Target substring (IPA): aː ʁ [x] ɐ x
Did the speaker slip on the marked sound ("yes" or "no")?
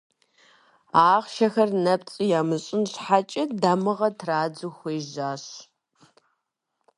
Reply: yes